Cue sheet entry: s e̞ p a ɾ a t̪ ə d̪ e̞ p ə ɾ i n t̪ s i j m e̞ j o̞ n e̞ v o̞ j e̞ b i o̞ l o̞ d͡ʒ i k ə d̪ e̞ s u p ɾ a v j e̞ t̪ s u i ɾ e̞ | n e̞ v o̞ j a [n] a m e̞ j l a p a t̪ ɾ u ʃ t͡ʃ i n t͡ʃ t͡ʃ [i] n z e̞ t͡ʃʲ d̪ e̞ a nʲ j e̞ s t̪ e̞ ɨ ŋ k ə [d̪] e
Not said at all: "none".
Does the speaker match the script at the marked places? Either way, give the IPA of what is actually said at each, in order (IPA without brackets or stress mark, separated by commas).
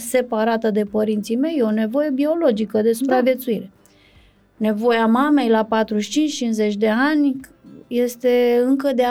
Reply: m, i, d̪